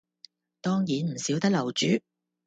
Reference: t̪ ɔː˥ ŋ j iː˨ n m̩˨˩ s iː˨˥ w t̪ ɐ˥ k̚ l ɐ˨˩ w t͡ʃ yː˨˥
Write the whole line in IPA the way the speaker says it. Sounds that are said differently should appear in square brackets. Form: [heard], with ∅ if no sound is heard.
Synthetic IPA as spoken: t̪ ɔː˥ ŋ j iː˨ n m̩˨˩ s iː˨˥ w t̪ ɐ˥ k̚ l ɐ˨˩ w t͡ʃ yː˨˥